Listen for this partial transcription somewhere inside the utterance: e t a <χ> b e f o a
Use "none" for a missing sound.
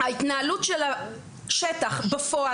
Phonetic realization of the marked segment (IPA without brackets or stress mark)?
χ